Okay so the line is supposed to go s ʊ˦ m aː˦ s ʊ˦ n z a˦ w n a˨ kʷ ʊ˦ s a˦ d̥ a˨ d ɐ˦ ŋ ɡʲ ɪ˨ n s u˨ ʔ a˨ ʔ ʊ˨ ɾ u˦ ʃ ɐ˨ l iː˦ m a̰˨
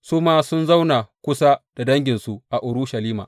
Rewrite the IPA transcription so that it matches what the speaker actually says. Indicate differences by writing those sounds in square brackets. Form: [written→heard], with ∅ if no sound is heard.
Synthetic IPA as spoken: s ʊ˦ m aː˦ s ʊ˦ n z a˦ w n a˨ kʷ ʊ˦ s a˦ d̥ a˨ d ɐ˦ ŋ ɡʲ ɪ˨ n s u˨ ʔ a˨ ʔ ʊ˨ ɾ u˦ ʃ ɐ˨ l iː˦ m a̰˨